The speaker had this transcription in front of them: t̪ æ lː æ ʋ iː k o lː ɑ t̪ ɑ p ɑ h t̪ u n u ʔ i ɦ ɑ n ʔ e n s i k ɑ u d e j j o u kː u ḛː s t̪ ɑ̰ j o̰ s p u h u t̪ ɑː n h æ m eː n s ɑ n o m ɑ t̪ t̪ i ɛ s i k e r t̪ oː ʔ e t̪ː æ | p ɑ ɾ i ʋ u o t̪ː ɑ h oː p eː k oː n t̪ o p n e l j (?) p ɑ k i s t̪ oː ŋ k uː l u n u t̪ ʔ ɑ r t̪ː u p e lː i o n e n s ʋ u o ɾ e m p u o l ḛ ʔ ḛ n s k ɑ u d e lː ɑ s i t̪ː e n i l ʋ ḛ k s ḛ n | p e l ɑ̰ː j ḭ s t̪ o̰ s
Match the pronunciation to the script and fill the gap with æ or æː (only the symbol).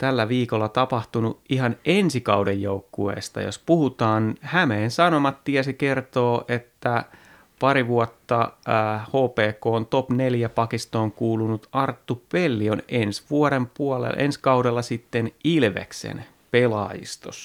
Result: æ